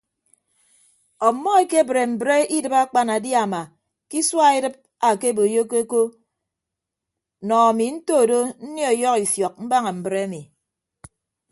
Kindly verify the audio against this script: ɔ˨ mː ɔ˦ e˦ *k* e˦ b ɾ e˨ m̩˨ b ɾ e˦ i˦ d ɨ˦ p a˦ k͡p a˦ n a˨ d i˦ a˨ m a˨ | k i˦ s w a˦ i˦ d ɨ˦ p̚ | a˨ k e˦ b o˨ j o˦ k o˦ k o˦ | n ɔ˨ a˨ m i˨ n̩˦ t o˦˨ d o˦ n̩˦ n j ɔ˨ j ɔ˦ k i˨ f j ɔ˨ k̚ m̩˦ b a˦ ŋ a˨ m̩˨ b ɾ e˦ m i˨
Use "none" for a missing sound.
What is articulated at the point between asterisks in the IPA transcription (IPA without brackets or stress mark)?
k